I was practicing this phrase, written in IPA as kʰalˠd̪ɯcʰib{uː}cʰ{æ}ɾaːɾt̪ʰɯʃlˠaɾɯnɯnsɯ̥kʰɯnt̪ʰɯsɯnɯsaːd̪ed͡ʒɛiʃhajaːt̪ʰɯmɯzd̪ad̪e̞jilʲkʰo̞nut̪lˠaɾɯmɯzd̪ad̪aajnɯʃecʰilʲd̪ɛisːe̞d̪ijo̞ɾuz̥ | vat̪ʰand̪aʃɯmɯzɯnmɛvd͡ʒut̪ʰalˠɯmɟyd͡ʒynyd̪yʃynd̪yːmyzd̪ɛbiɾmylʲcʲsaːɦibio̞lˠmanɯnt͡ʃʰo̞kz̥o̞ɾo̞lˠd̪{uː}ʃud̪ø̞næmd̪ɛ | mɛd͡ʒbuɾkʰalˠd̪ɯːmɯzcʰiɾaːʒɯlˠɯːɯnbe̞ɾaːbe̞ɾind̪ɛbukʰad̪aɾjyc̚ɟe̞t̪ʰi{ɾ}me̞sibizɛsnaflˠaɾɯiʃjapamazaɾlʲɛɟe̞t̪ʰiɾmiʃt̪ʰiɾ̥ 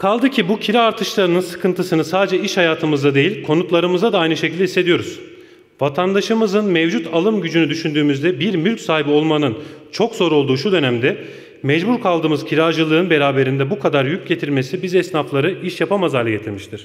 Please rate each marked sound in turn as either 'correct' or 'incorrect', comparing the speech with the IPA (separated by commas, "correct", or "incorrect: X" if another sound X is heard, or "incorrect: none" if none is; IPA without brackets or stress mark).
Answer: incorrect: u, incorrect: i, correct, correct